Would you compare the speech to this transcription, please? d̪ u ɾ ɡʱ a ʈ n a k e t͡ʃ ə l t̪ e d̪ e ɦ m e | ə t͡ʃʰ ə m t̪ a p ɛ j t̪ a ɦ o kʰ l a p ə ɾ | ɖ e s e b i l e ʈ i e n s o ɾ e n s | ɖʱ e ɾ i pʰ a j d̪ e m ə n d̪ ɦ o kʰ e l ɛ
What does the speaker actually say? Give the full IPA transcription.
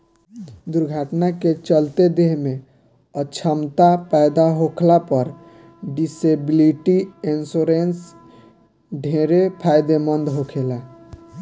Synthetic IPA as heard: d̪ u ɾ ɡʱ a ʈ n a k e t͡ʃ ə l t̪ e d̪ e ɦ m e | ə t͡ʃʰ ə m t̪ a p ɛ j d̪ a ɦ o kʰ l a p ə ɾ | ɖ i s e b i l i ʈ i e n s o ɾ e n s | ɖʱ e ɾ e pʰ a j d̪ e m ə n d̪ ɦ o kʰ e l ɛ